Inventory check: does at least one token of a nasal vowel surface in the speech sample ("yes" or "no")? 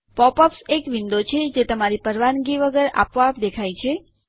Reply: no